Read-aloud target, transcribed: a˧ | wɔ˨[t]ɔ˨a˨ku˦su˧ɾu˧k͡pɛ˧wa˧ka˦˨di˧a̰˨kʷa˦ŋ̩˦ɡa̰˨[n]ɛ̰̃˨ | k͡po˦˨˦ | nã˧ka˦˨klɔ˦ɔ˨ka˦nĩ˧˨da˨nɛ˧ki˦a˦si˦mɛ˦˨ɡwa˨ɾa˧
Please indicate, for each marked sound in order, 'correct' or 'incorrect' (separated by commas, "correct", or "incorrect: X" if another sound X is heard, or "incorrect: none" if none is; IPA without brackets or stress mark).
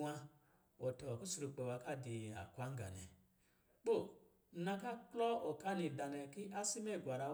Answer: correct, correct